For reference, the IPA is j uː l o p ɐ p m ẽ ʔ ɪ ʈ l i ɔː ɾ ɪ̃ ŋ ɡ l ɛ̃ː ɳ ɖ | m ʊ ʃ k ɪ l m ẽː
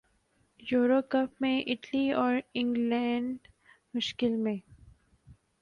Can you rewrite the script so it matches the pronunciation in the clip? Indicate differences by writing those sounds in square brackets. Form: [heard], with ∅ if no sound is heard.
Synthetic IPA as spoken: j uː [ɾ] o [k] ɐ p m ẽ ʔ ɪ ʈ l i ɔː ɾ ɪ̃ ŋ ɡ l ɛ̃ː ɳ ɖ | m ʊ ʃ k ɪ l m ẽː